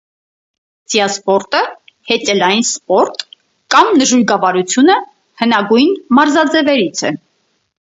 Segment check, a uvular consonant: absent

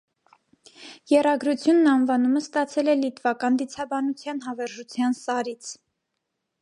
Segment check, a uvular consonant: absent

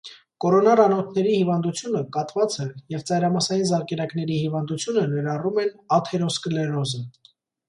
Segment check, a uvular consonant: absent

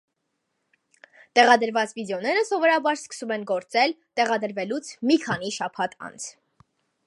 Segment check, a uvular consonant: present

